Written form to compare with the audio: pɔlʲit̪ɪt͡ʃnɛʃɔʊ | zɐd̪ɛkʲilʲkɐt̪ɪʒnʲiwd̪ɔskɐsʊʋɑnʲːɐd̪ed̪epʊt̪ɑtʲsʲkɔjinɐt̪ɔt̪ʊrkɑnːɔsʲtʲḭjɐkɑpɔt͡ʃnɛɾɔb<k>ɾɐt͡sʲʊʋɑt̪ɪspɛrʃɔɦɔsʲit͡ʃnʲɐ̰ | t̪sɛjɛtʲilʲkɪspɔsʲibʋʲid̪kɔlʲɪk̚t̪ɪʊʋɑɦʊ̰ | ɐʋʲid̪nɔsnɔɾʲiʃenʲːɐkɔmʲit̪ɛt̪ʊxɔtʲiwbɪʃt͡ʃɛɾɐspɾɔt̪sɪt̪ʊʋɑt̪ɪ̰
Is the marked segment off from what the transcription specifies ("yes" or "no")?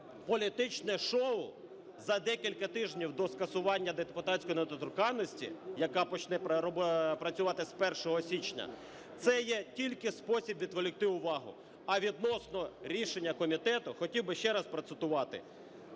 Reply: yes